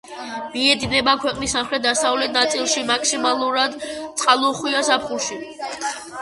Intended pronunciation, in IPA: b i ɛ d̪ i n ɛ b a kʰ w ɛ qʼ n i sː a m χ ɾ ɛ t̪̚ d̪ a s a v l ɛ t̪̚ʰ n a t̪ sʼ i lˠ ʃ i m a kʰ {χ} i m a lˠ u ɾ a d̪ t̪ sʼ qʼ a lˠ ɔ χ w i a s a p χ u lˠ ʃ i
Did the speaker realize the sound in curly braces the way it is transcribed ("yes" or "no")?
no